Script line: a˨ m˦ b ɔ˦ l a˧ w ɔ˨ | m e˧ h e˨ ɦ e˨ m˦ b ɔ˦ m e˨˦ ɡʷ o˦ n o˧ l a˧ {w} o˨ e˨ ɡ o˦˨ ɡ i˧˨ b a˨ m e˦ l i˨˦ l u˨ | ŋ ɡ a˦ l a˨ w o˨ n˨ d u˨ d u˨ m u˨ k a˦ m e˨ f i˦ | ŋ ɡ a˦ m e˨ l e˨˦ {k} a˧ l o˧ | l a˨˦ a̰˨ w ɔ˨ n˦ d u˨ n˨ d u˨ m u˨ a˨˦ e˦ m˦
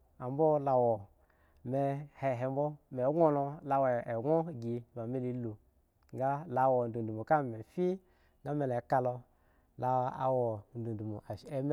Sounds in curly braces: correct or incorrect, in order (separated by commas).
correct, correct